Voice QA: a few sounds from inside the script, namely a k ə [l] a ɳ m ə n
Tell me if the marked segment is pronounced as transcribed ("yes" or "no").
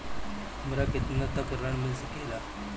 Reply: no